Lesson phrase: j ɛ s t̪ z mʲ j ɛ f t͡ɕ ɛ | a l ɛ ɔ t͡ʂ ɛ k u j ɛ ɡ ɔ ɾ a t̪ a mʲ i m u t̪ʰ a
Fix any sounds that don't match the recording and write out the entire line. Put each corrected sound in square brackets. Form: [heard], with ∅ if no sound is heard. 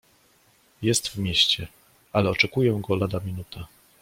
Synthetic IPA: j ɛ s t̪ [v] mʲ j ɛ [ɕ] t͡ɕ ɛ | a l ɛ ɔ t͡ʂ ɛ k u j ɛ ɡ ɔ [l] a [d̪] a mʲ i [n] u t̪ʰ a